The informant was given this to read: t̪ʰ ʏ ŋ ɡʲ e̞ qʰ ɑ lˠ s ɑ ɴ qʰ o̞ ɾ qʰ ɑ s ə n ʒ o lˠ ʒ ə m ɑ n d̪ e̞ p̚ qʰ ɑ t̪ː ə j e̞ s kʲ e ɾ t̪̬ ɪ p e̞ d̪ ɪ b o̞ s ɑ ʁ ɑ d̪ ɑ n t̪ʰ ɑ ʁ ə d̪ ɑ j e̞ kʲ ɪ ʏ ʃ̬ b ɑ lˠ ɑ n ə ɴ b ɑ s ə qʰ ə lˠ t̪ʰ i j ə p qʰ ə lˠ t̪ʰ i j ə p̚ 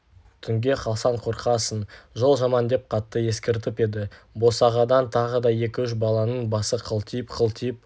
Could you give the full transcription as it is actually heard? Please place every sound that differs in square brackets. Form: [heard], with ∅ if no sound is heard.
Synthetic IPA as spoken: t̪ʰ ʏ ŋ ɡʲ e̞ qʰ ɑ lˠ s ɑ ɴ qʰ o̞ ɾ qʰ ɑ s ə n ʒ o lˠ ʒ [ɑ] m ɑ n d̪ e̞ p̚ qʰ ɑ t̪ː ə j e̞ s kʲ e ɾ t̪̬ ɪ p e̞ d̪ ɪ b o̞ s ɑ ʁ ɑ d̪ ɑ n t̪ʰ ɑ ʁ ə d̪ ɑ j e̞ kʲ ɪ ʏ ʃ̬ b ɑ lˠ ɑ n ə ɴ b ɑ s ə qʰ ə lˠ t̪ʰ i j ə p qʰ ə lˠ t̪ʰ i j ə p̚

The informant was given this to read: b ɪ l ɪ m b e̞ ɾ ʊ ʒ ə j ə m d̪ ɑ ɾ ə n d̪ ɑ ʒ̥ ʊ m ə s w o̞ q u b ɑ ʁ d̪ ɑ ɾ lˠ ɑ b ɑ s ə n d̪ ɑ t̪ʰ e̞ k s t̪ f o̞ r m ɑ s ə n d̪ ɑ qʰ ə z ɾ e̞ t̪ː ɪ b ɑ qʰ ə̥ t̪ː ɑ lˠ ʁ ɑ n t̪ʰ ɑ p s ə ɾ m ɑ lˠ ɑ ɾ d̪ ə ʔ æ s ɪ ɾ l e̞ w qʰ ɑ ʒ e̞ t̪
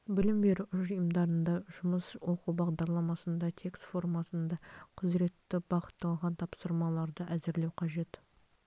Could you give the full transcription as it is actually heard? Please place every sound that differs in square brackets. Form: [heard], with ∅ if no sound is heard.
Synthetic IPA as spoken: b ɪ l ɪ m b e̞ ɾ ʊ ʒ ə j ə m d̪ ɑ ɾ ə n d̪ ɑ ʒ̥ ʊ m ə s w o̞ q u b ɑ ʁ d̪ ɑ ɾ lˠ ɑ [m] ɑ s ə n d̪ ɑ t̪ʰ e̞ k s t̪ f o̞ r m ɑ s ə n d̪ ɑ qʰ ə z ɾ e̞ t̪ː ɪ b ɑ [q] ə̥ t̪ː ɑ lˠ ʁ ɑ n t̪ʰ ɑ p s ə ɾ m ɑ lˠ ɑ ɾ d̪ ə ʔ æ [z] ɪ ɾ l e̞ w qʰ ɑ ʒ e̞ t̪

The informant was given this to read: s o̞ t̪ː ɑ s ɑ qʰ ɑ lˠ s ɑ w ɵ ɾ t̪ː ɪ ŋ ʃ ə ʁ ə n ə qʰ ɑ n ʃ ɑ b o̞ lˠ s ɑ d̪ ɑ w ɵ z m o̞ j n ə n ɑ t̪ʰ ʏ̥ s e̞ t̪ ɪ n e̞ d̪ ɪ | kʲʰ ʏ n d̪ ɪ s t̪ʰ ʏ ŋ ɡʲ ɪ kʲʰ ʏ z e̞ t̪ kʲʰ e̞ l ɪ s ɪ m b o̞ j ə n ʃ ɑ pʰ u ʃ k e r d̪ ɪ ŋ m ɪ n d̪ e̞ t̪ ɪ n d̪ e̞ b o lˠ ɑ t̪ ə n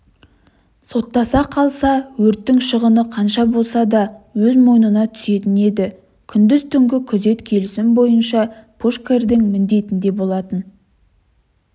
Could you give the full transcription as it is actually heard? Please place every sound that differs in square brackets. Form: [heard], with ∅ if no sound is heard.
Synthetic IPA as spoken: s o̞ t̪ː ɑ s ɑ qʰ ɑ lˠ s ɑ w ɵ ɾ t̪ː ɪ ŋ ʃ ə ʁ ə n ə qʰ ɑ n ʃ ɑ b o̞ lˠ s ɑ d̪ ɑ w ɵ z m o̞ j n ə n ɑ t̪ʰ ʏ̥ s e̞ t̪ ɪ n e̞ d̪ ɪ | kʲʰ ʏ n d̪ ɪ [z] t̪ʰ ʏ ŋ ɡʲ ɪ kʲʰ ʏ z e̞ t̪ kʲʰ e̞ l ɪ s ɪ m b o̞ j ə n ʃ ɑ pʰ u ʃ k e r d̪ ɪ ŋ m ɪ n d̪ e̞ t̪ ɪ n d̪ e̞ b o lˠ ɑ t̪ ə n

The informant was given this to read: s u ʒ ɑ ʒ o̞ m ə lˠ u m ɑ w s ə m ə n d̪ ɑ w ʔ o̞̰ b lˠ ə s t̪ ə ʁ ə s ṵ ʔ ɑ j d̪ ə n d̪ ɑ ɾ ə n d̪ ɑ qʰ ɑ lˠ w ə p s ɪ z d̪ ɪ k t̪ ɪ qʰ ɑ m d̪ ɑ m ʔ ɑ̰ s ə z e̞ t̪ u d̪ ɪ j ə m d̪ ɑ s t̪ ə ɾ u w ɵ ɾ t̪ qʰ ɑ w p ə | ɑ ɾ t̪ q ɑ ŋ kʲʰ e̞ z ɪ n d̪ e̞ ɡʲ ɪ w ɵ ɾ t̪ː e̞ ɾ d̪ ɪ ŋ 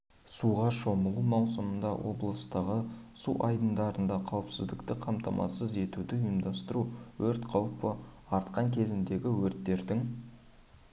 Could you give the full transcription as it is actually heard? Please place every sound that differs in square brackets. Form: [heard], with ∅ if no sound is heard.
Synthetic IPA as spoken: s u [ʁ] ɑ [ʃ] o̞ m ə lˠ u m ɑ w s ə m ə n d̪ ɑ w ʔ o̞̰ b lˠ ə s t̪ ə ʁ ə s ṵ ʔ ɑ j d̪ ə n d̪ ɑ ɾ ə n d̪ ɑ qʰ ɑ [∅] w ə p s ɪ z d̪ ɪ k t̪ ɪ qʰ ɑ m [t̪] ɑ m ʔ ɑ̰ s ə z e̞ t̪ u d̪ ɪ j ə m d̪ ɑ s t̪ ə ɾ u w ɵ ɾ t̪ qʰ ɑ w p ə | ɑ ɾ t̪ q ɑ ŋ kʲʰ e̞ z ɪ n d̪ e̞ ɡʲ ɪ w ɵ ɾ t̪ː e̞ ɾ d̪ ɪ ŋ

